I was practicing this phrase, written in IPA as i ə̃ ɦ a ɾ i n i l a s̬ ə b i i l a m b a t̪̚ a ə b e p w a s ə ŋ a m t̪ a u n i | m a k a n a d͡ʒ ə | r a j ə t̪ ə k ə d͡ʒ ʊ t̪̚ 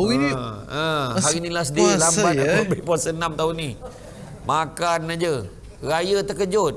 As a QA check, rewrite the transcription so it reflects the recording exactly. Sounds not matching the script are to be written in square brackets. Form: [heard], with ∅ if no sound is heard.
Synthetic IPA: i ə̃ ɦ a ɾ i n i l a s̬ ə [d] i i l a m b a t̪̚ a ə b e p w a s ə [n] a m t̪ a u n i | m a k a n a d͡ʒ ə | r a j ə t̪ ə k ə d͡ʒ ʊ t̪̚